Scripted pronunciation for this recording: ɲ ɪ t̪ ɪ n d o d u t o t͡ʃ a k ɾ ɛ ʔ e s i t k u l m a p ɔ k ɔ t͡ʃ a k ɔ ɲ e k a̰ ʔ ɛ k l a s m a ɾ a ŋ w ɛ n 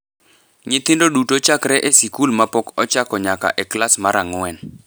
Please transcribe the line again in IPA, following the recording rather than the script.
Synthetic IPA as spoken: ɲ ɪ t̪ ɪ n d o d u t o t͡ʃ a k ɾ ɛ ʔ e s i k u l m a p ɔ k ɔ t͡ʃ a k ɔ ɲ a k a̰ ʔ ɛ k l a s m a ɾ a ŋ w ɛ n